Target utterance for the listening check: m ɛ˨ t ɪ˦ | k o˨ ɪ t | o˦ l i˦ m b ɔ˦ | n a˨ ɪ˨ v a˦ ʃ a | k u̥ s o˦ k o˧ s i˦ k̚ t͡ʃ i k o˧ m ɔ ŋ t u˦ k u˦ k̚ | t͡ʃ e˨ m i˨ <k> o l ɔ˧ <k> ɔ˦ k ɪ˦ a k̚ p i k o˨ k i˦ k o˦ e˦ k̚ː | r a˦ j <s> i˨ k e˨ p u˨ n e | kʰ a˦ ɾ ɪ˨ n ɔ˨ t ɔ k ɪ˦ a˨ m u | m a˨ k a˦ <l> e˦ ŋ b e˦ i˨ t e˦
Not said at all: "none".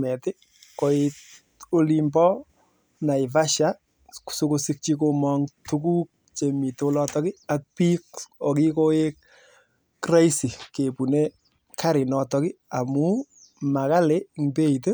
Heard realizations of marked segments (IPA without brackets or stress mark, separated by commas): t, t, s, l